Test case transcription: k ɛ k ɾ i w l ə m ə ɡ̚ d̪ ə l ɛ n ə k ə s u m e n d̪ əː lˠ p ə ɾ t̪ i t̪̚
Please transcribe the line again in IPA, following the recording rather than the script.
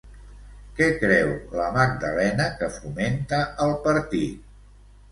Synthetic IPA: k ɛ k ɾ ɛ w l ə m a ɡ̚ d̪ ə l ɛ n ə k ə f u m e n t̪ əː lˠ p ə ɾ t̪ i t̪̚